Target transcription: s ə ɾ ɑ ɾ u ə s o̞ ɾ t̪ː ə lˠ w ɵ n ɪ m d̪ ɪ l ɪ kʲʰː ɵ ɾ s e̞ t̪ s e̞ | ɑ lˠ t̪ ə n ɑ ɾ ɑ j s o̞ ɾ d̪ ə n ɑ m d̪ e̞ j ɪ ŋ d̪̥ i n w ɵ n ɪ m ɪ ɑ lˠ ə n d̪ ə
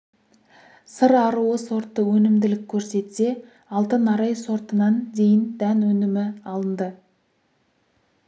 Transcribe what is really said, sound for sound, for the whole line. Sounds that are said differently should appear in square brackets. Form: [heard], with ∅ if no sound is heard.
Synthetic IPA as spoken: s ə ɾ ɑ ɾ u ə s o̞ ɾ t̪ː ə [∅] w ɵ n ɪ m d̪ ɪ l ɪ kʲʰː ɵ ɾ s e̞ t̪ s e̞ | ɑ lˠ t̪ ə n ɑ ɾ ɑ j s o̞ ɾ [t̪] ə n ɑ [n] d̪ e̞ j ɪ [n] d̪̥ [æ] n w ɵ n ɪ m ɪ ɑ lˠ ə n d̪ ə